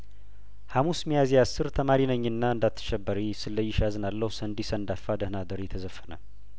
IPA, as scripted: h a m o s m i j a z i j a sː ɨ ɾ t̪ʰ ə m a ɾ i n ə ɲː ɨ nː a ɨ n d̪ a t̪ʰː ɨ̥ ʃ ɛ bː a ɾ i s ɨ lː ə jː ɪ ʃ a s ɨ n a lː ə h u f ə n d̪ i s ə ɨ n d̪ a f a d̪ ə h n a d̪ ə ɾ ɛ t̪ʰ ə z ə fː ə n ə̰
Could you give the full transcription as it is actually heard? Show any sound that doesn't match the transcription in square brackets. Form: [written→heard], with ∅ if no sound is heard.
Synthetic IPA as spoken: h a m [o→u] s m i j a z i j a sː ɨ ɾ t̪ʰ ə m a ɾ i n ə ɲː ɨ nː a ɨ n d̪ a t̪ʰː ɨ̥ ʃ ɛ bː [a→ə] ɾ i s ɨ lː ə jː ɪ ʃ a [s→z] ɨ n a lː ə h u [f→s] ə n d̪ i s ə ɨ n d̪ a f a d̪ ə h n a d̪ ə ɾ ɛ t̪ʰ ə z ə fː ə n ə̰